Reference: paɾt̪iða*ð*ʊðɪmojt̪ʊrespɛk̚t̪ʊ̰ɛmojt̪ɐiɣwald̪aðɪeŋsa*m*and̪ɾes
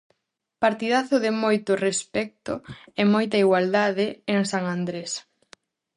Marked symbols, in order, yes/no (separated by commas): no, no